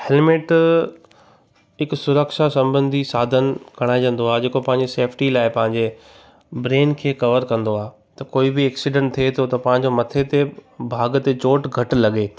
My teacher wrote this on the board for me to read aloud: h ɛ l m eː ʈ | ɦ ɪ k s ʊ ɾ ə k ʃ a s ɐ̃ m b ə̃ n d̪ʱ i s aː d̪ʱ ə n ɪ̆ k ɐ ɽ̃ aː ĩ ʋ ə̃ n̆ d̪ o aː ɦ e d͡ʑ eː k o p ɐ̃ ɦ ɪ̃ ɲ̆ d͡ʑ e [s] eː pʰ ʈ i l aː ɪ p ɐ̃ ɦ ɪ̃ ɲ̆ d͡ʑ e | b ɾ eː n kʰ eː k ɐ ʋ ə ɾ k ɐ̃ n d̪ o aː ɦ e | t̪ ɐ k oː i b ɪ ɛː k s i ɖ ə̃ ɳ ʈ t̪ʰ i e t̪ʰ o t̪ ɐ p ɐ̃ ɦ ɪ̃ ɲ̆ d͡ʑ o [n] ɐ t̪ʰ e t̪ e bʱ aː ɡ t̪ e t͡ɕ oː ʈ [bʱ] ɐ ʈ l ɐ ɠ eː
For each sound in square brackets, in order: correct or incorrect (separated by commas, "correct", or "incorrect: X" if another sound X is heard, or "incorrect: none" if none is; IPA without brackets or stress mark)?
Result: correct, incorrect: m, incorrect: ɡʱ